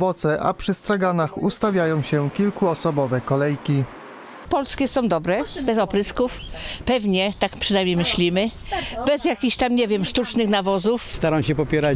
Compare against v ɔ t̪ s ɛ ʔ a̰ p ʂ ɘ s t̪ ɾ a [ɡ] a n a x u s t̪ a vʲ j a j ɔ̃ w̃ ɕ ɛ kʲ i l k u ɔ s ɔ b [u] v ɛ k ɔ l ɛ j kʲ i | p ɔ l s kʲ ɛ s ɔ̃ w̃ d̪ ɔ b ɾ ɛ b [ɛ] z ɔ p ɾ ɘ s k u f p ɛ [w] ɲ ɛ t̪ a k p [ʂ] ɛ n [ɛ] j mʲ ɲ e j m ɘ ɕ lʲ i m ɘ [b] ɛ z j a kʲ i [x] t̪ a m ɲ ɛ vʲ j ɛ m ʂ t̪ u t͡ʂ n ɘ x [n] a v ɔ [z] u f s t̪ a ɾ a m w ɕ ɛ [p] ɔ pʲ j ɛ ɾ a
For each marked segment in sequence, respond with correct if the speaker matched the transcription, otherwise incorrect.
correct, incorrect: ɔ, correct, incorrect: v, correct, incorrect: a, correct, incorrect: ɕ, correct, correct, correct

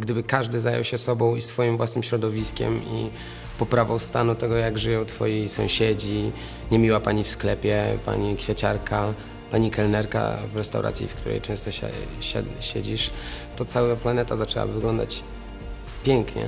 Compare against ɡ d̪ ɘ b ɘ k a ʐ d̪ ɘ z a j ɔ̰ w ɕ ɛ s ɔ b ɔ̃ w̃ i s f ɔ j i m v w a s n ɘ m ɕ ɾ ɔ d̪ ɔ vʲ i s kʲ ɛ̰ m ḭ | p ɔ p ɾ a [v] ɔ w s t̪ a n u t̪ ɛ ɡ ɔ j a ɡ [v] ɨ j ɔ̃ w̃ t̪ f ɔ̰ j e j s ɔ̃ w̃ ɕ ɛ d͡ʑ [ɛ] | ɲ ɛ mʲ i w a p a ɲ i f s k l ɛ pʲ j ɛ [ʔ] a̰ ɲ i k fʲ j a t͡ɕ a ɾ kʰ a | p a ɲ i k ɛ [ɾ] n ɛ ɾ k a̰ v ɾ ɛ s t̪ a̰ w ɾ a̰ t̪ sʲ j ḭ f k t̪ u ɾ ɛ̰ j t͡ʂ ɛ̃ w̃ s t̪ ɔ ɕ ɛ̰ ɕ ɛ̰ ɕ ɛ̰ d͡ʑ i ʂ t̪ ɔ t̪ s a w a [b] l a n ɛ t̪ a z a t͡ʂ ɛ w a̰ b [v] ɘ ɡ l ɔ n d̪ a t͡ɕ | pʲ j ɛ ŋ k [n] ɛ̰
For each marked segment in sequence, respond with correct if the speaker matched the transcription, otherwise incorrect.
correct, incorrect: ʐ, incorrect: i, incorrect: p, incorrect: l, incorrect: p, correct, incorrect: ɲ

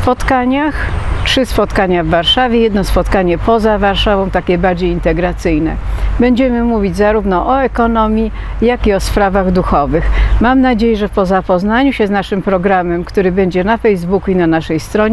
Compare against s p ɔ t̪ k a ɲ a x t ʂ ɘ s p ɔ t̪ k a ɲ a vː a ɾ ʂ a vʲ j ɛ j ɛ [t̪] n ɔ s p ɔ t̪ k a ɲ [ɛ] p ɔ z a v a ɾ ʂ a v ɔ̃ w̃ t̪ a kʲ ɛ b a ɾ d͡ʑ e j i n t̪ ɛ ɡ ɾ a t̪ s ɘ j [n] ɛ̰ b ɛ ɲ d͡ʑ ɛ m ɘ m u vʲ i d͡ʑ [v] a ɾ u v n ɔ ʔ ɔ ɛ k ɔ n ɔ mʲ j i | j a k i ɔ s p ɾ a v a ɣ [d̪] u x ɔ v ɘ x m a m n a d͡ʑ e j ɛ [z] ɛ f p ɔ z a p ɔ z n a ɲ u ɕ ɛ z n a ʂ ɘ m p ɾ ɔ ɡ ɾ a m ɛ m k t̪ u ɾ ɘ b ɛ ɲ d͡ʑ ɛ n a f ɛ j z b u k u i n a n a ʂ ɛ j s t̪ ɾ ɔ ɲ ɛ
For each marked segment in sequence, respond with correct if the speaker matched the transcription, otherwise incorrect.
incorrect: d̪, correct, correct, incorrect: z, correct, incorrect: ʐ

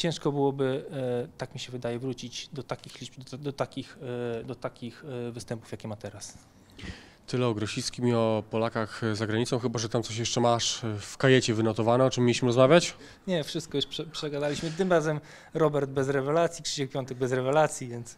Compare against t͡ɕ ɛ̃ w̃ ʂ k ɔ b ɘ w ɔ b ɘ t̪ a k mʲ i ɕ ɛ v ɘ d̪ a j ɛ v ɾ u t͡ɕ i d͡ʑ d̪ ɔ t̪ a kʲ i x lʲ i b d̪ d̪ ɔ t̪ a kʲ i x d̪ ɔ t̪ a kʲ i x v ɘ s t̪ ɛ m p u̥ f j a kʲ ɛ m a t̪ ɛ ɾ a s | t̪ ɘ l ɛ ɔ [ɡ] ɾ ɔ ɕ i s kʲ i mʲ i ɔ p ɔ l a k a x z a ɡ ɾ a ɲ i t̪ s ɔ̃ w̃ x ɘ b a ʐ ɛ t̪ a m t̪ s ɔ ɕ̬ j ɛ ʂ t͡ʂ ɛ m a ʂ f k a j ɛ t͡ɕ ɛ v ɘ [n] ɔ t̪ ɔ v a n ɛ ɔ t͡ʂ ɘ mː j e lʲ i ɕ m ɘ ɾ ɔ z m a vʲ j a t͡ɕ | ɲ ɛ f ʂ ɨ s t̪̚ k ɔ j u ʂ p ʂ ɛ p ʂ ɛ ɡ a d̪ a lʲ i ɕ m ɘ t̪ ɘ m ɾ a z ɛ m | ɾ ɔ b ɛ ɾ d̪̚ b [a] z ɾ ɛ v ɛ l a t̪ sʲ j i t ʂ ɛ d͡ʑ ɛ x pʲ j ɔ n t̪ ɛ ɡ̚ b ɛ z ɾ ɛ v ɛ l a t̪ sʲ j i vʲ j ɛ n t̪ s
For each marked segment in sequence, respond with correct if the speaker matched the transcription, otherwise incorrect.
correct, correct, incorrect: ɛ

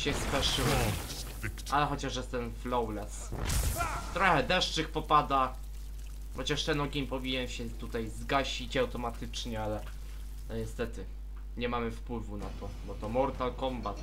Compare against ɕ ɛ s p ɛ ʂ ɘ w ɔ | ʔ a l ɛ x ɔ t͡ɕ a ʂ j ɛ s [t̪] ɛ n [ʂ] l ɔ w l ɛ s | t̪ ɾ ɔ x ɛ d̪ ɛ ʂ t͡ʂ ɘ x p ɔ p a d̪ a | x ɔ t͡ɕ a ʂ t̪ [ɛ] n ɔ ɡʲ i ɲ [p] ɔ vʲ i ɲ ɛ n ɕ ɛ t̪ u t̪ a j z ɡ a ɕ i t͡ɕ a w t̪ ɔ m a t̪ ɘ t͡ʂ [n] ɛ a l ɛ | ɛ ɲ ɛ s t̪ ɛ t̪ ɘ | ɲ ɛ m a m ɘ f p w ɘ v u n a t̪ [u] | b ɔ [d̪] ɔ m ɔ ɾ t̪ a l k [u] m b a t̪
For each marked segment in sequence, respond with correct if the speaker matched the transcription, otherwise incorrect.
correct, incorrect: f, correct, correct, incorrect: ɲ, incorrect: ɔ, incorrect: t̪, incorrect: ɔ

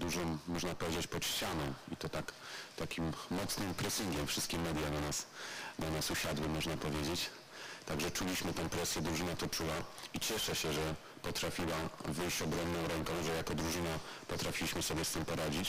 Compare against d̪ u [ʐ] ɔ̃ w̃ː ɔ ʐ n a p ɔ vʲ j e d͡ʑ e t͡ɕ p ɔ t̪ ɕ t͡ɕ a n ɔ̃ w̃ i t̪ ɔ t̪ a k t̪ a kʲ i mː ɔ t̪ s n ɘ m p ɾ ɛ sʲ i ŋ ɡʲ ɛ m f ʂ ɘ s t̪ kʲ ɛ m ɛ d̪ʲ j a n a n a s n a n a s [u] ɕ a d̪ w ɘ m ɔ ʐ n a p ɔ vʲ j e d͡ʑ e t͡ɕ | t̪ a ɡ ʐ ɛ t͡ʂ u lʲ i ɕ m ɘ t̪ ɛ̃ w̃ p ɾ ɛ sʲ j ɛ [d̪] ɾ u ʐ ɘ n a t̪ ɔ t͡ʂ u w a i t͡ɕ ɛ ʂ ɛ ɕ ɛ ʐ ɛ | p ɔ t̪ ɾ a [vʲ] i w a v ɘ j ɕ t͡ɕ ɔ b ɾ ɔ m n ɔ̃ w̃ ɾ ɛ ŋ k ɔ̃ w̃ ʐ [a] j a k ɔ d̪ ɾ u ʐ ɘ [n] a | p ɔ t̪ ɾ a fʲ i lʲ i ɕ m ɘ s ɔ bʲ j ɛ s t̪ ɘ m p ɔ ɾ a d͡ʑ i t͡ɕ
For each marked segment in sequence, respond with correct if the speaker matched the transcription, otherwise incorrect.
correct, correct, correct, incorrect: fʲ, incorrect: ɛ, correct

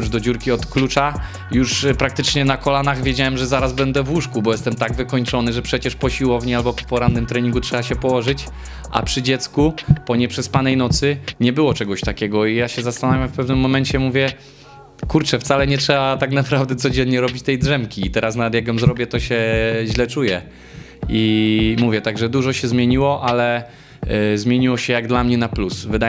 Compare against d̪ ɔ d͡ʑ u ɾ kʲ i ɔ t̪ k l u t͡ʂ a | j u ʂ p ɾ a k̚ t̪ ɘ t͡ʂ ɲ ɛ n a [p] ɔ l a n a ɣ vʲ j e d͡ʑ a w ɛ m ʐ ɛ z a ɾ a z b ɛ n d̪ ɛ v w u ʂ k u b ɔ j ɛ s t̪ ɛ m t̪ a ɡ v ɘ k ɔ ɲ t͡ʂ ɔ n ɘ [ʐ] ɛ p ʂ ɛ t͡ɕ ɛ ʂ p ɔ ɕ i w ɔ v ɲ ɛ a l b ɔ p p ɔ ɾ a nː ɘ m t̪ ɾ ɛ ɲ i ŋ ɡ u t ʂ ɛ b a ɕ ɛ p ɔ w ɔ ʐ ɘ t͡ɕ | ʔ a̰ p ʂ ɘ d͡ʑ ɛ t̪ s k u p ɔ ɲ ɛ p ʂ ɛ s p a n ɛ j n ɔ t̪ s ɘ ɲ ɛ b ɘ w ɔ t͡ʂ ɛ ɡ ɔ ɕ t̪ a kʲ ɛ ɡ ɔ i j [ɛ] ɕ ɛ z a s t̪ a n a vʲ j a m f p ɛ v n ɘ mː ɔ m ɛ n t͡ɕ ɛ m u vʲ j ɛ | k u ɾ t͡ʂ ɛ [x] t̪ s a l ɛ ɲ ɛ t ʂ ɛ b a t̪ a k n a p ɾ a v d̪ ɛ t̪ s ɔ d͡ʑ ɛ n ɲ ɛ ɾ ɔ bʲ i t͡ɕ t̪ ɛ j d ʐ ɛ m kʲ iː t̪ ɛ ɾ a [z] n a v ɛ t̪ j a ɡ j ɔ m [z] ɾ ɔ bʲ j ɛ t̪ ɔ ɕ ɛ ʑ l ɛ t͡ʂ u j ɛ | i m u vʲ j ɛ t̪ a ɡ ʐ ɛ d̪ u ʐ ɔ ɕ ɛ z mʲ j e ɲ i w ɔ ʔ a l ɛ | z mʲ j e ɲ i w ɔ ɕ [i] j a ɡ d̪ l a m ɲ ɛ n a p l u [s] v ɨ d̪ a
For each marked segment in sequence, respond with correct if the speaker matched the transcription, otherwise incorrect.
incorrect: k, correct, incorrect: a, incorrect: f, incorrect: s, correct, incorrect: ɛ, correct

